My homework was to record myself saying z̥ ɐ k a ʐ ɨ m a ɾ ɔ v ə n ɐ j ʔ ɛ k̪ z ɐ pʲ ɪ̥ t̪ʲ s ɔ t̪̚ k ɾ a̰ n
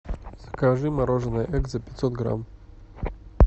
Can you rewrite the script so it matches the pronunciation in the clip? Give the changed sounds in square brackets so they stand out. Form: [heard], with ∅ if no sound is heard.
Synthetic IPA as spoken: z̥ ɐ k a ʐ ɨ m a ɾ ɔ [ʐ] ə n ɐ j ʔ ɛ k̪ z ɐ pʲ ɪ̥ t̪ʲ s ɔ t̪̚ [ɡ] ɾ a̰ [m]